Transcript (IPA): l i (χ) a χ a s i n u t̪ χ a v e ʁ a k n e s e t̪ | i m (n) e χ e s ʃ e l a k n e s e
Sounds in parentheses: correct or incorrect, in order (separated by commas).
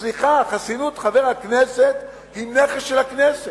correct, correct